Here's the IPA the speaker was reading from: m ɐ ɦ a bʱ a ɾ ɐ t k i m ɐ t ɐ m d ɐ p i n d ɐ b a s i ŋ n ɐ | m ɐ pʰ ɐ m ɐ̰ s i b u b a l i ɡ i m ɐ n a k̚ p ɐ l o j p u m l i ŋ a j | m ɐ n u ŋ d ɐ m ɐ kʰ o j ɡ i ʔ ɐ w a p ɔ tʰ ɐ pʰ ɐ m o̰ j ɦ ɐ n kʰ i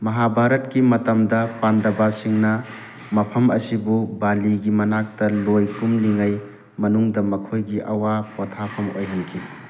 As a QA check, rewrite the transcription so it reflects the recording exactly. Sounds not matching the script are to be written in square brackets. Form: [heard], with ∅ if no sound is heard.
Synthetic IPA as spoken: m ɐ ɦ a bʱ a ɾ ɐ t k i m ɐ t ɐ m d ɐ p [a] n d ɐ b a s i ŋ n ɐ | m ɐ pʰ ɐ m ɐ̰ s i b u b a l i ɡ i m ɐ n a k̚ [t] ɐ l o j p u m l i ŋ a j | m ɐ n u ŋ d ɐ m ɐ kʰ o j ɡ i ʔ ɐ w a p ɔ tʰ [a] pʰ ɐ m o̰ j ɦ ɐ n kʰ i